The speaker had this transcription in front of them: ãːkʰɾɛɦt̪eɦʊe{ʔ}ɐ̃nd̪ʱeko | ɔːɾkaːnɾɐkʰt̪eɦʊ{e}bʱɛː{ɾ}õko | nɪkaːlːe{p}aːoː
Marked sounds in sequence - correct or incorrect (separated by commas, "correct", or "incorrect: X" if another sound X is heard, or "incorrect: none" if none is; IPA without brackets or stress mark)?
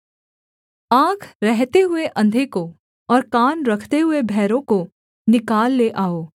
correct, correct, correct, incorrect: ʔ